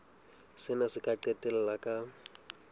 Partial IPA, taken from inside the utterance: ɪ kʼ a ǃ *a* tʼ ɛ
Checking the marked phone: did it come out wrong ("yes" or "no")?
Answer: yes